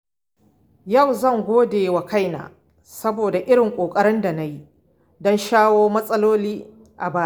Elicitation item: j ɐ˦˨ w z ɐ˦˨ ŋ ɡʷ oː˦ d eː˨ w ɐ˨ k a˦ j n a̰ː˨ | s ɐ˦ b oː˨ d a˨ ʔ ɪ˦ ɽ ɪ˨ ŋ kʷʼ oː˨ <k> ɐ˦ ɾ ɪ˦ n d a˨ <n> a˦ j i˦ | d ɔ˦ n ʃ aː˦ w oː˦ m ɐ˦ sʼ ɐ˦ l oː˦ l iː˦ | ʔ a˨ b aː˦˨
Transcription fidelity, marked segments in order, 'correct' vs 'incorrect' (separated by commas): incorrect, correct